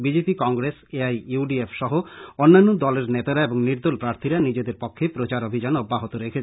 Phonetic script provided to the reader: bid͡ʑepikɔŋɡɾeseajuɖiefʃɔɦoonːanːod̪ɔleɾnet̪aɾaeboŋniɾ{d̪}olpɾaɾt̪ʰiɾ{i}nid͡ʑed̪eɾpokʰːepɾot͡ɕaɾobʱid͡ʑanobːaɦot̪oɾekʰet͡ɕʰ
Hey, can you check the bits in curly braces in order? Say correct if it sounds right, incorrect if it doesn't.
correct, incorrect: a

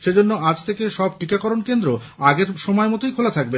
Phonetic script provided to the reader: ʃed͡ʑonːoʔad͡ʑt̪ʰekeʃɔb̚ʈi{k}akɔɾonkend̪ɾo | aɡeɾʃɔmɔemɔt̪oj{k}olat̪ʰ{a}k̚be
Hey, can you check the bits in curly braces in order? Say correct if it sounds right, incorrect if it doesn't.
correct, incorrect: kʰ, correct

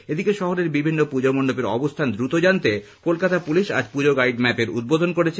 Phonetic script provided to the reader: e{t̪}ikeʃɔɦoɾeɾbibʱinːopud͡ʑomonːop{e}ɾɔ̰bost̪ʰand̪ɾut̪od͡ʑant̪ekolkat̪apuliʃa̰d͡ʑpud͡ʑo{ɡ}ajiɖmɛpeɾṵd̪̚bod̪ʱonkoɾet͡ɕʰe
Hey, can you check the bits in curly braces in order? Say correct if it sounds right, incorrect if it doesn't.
incorrect: d̪, correct, correct

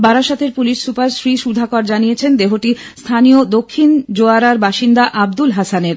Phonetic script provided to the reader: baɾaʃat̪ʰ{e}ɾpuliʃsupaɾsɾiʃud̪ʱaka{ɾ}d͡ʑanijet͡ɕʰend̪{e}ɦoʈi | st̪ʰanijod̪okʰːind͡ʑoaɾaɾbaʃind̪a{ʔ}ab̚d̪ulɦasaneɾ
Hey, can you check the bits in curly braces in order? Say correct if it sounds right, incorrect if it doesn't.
correct, correct, correct, correct

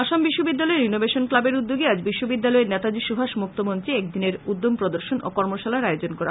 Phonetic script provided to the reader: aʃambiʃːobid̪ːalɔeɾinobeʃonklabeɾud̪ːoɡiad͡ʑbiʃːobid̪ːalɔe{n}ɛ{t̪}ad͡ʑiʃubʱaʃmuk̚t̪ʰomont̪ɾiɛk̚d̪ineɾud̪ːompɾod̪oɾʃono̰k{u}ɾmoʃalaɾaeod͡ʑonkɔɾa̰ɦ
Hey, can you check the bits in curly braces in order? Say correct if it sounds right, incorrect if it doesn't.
correct, correct, incorrect: ɔ

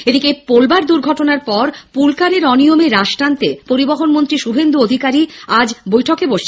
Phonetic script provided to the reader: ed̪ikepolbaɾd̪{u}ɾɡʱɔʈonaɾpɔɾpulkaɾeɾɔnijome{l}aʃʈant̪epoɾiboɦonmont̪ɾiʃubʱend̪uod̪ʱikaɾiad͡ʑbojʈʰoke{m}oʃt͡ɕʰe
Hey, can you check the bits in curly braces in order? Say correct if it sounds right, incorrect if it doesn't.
correct, incorrect: ɾ, incorrect: b

